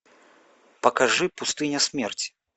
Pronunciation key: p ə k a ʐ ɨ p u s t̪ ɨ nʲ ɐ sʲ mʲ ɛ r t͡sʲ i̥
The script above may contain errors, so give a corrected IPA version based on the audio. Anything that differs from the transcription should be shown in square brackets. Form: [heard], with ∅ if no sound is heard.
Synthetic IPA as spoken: p [ɐ] k a ʐ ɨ p u s t̪ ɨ nʲ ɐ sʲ mʲ ɛ r t͡sʲ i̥

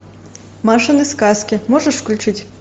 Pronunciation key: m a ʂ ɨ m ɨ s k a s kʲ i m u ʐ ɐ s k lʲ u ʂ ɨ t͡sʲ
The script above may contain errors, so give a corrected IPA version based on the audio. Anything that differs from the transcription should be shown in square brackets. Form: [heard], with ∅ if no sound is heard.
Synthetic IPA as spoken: m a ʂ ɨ [n] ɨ s k a s kʲ i m [ɔ] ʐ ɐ [ʂ] k lʲ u [t͡ʂ] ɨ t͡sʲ

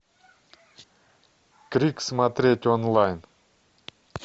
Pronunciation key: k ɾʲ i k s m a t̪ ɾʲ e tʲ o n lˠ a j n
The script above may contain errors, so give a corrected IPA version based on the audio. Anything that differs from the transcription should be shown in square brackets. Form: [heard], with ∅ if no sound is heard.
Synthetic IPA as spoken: k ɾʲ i k s m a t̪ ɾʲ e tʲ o n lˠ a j n

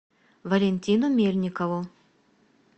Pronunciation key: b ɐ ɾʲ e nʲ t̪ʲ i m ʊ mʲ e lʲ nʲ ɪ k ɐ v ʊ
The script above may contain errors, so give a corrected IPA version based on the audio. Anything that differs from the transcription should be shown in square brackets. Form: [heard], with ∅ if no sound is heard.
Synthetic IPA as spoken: [v] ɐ [lʲ] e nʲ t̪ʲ i [n] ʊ mʲ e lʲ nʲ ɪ k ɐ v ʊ

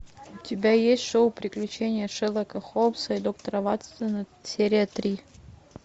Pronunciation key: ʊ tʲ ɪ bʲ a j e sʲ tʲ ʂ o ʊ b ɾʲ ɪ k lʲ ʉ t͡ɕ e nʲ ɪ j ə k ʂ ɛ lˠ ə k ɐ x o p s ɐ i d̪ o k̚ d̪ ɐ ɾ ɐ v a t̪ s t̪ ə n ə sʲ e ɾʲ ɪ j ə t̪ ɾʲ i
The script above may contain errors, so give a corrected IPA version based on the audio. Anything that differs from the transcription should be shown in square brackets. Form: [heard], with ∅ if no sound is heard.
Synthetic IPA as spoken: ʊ tʲ ɪ bʲ a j e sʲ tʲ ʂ o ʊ [p] ɾʲ ɪ k lʲ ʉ t͡ɕ e nʲ ɪ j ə [∅] ʂ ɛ lˠ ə k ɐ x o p s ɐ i d̪ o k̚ [t̪] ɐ ɾ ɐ v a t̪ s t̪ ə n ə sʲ e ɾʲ ɪ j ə t̪ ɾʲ i

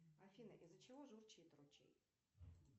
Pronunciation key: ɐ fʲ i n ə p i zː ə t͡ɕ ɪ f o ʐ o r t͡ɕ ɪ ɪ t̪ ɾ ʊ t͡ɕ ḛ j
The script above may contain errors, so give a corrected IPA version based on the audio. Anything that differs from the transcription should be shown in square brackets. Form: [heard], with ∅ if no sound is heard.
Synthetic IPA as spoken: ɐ fʲ i n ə [ʔ] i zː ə t͡ɕ ɪ [v] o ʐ [u] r t͡ɕ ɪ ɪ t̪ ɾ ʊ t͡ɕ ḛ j

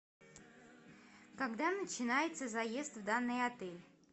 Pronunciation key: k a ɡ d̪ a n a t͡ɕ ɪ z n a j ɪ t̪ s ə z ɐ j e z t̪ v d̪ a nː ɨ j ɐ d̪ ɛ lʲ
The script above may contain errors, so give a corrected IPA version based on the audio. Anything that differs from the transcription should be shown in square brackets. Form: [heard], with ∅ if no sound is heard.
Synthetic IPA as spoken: k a ɡ d̪ a n [ə] t͡ɕ ɪ [∅] n a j ɪ t̪ s ə z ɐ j e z t̪ v d̪ a nː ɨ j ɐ [t̪] ɛ lʲ

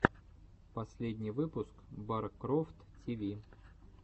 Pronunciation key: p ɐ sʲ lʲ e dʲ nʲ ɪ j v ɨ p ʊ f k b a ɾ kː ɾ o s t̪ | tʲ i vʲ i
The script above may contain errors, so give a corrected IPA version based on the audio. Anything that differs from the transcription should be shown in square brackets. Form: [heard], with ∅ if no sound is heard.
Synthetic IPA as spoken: p ɐ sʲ lʲ e dʲ nʲ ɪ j v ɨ p ʊ [s] k b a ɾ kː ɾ o [f] t̪ | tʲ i vʲ i

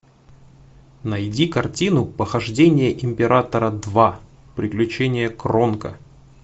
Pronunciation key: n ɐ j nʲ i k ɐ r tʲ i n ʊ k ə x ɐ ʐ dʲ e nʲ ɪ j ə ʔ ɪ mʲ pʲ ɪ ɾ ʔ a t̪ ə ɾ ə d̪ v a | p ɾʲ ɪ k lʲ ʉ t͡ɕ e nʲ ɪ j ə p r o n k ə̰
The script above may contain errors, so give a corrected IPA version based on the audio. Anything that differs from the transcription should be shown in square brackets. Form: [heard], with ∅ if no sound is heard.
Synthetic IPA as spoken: n ɐ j [dʲ] i k ɐ r tʲ i n ʊ [p] ə x ɐ ʐ dʲ e nʲ ɪ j ə ʔ ɪ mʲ pʲ ɪ ɾ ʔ a t̪ ə ɾ ə d̪ v a | p ɾʲ ɪ k lʲ ʉ t͡ɕ e nʲ ɪ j ə [k] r o n k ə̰

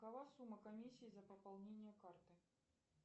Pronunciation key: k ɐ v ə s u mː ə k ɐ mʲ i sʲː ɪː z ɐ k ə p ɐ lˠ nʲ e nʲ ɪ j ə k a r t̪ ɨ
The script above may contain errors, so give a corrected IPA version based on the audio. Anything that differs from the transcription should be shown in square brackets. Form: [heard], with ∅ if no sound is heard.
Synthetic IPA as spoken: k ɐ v [a] s u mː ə k ɐ mʲ i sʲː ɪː z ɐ [p] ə p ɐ lˠ nʲ e nʲ ɪ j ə k a r t̪ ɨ

